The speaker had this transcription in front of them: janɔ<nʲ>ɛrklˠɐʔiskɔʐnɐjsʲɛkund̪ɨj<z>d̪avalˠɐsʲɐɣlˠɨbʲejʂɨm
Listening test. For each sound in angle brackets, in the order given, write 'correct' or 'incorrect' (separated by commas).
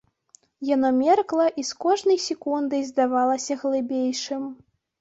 incorrect, correct